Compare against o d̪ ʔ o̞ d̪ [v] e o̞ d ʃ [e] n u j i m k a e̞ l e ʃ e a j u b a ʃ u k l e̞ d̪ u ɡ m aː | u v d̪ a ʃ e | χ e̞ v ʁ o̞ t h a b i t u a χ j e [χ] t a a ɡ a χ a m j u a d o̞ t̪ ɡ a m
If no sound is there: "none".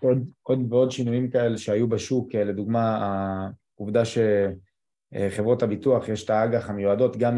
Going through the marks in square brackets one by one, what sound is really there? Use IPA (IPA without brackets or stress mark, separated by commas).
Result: v, i, ʃ